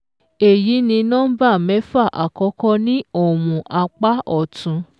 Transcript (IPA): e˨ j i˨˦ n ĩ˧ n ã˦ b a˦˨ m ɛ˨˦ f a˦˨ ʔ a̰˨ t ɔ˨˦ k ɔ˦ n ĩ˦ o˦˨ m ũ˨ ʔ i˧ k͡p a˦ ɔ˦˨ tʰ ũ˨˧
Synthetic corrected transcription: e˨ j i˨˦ n ĩ˧ n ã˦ b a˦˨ m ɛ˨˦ f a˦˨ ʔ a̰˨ k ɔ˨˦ k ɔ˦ n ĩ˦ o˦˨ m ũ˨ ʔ a˧ k͡p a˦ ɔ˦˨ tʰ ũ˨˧

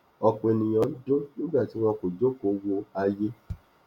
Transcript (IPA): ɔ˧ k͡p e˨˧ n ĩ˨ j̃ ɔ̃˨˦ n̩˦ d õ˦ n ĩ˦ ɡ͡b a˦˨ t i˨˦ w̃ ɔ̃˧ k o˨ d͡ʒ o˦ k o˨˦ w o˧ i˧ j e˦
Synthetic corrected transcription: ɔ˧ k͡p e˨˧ n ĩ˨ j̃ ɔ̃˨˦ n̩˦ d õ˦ n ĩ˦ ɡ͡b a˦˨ t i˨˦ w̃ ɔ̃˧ k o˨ d͡ʒ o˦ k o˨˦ w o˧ a˧ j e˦

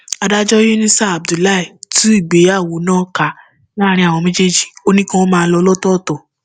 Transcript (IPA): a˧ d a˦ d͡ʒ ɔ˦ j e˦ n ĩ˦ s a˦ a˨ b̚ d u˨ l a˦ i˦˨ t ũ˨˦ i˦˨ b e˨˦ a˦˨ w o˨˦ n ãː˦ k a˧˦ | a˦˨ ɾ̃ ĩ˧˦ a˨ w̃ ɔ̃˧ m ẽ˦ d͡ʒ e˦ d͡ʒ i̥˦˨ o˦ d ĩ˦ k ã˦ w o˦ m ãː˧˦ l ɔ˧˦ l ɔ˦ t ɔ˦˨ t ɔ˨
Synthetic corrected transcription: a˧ d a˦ d͡ʒ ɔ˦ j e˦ n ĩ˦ s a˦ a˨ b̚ d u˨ l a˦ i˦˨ t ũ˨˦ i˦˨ ɡ͡b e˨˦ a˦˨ w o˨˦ n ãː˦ k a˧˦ | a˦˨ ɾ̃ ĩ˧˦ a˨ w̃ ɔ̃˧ m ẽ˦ d͡ʒ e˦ d͡ʒ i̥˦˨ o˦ n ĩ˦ k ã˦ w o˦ m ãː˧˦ l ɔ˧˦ l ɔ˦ t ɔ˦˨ t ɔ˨

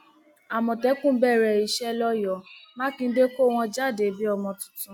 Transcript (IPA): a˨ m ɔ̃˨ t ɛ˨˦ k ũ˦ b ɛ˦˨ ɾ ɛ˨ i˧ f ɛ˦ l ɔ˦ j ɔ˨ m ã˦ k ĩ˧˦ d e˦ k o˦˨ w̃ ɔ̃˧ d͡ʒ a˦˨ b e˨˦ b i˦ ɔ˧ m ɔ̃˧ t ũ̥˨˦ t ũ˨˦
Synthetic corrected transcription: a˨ m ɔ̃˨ t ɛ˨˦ k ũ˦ b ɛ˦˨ ɾ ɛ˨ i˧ ʃ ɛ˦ l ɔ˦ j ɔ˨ m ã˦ k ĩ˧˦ d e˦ k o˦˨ w̃ ɔ̃˧ d͡ʒ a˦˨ d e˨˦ b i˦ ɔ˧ m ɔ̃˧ t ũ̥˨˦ t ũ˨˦

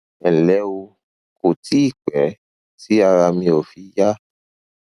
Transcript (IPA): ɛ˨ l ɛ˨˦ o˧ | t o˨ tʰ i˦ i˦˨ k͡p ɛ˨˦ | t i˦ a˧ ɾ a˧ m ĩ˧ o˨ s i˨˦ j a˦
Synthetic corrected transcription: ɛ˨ l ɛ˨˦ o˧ | k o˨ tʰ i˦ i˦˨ k͡p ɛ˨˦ | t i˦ a˧ ɾ a˧ m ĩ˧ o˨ f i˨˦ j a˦

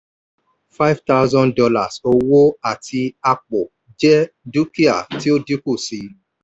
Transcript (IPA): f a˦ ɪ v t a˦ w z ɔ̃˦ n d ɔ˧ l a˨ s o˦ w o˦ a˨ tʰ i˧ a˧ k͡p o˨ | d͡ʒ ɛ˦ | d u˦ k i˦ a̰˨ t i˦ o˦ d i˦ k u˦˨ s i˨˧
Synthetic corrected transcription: f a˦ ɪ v t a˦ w z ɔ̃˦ n d ɔ˧ l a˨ s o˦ w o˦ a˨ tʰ i˧ a˧ k͡p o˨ | d͡ʒ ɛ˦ | d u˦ k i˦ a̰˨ t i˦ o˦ d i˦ k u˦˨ s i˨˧

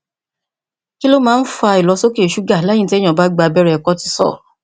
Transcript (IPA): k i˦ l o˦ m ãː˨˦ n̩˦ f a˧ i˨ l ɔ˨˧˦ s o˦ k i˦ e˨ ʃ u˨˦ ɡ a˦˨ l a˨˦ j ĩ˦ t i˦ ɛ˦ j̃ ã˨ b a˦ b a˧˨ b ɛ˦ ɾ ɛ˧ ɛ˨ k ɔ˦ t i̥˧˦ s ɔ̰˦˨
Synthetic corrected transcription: k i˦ l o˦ m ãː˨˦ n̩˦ f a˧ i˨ l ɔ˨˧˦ s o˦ k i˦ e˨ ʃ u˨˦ ɡ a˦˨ l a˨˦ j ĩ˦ t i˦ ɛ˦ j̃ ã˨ b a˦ ɡ͡b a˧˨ b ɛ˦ ɾ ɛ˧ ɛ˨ k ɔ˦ t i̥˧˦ s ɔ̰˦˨

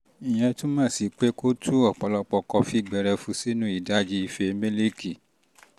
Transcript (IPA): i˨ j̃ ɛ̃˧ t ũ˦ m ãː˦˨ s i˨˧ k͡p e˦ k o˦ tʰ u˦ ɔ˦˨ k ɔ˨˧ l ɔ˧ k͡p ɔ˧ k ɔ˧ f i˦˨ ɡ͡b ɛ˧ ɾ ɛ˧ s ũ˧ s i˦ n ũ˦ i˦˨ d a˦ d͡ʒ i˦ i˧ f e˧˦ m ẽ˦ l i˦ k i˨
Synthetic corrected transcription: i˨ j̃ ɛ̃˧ t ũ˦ m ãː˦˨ s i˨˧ k͡p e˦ k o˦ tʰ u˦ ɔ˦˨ k͡p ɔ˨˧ l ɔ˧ k͡p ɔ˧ k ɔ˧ f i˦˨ ɡ͡b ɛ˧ ɾ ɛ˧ f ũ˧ s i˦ n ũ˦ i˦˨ d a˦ d͡ʒ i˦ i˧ f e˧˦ m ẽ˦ l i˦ k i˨

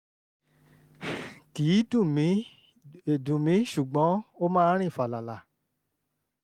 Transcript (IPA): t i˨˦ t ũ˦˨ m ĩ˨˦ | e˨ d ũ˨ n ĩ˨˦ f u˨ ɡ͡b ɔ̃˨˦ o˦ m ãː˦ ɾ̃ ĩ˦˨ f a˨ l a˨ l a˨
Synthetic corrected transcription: k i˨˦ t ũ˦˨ m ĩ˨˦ | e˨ d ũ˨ m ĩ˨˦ ʃ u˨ ɡ͡b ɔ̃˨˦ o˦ m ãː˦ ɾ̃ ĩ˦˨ f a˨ l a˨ l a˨

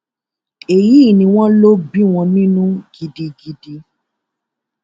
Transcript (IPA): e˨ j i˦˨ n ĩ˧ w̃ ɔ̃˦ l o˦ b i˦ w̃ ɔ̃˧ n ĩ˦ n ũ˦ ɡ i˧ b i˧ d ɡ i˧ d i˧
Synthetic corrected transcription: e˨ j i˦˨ n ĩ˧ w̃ ɔ̃˦ l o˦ b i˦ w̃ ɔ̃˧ n ĩ˦ n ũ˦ ɡ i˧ d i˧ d ɡ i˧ d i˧

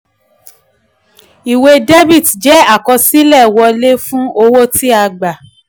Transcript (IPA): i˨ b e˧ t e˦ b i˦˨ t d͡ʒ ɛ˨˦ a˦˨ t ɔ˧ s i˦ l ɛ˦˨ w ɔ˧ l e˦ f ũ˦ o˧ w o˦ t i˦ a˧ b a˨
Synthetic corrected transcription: i˨ w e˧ d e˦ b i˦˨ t d͡ʒ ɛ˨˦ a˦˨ k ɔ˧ s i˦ l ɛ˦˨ w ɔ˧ l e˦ f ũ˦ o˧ w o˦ t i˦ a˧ ɡ͡b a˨

